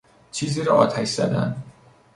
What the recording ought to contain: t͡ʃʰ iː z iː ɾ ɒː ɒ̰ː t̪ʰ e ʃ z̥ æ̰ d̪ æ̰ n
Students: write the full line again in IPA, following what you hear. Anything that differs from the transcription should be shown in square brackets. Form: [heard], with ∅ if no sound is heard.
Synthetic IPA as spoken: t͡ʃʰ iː z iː ɾ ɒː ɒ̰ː t̪ʰ [æ] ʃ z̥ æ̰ d̪ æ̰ n